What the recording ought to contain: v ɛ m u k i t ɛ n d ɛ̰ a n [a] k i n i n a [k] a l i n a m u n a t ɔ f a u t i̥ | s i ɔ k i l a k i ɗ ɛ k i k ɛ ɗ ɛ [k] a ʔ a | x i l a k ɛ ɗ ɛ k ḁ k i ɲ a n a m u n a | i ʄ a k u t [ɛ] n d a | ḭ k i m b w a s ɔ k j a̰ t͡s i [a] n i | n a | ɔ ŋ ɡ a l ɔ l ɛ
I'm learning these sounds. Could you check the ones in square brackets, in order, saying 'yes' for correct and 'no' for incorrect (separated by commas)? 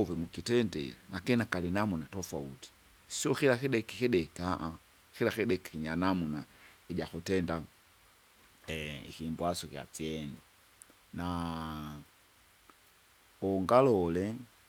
yes, yes, yes, yes, no